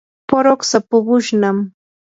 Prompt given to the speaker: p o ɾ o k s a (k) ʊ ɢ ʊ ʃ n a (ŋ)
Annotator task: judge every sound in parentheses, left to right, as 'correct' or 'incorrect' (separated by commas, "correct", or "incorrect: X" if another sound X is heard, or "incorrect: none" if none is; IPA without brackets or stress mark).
incorrect: p, incorrect: m